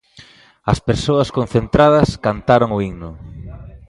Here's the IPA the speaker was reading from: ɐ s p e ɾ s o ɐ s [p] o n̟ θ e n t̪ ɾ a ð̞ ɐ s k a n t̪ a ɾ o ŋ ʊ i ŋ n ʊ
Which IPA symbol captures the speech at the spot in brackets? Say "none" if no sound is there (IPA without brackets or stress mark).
k